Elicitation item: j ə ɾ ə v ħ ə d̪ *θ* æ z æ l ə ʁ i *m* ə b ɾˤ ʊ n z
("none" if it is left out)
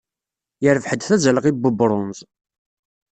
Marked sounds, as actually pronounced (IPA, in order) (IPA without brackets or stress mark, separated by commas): θ, b